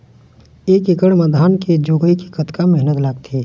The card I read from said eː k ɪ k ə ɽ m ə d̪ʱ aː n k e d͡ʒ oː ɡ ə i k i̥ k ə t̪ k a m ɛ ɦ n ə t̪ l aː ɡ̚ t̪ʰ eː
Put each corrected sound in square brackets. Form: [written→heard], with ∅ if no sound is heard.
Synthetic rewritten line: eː k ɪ k ə ɽ m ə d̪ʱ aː n k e d͡ʒ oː ɡ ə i k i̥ k ə t̪ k a m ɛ ɦ n ə t̪ l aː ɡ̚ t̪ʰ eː